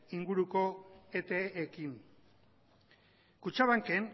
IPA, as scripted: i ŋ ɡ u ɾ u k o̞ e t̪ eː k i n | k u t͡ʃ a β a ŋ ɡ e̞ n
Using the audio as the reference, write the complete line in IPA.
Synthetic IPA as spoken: i ŋ ɡ u ɾ u k o̞ e t̪ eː k i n | k u t͡ʃ a β a ŋ k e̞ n